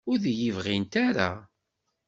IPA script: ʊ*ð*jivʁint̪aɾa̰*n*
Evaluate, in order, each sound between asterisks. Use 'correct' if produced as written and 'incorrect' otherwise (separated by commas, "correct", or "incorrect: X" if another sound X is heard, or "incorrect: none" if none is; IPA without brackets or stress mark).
correct, incorrect: none